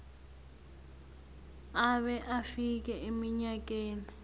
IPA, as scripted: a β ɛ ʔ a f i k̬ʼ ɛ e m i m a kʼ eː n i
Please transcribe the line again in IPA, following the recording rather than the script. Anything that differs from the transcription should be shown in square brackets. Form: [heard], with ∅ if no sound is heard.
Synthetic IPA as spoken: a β ɛ ʔ a f i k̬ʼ ɛ e m i [ɲ] a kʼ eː n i